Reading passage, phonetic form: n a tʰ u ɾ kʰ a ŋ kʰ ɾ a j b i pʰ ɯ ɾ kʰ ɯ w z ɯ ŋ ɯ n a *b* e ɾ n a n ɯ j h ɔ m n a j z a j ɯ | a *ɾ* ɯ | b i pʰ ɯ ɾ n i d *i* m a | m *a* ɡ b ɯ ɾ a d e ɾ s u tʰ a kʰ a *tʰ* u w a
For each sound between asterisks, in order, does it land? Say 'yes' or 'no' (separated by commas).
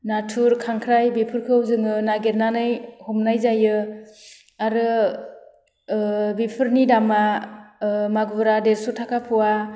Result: no, yes, no, yes, no